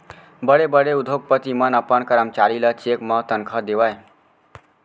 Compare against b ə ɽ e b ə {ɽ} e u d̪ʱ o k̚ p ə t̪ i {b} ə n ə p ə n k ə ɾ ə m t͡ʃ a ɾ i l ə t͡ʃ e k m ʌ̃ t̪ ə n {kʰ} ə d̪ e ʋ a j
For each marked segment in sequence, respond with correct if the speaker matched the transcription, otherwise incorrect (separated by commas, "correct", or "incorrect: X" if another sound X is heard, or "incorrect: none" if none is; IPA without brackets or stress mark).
correct, incorrect: m, correct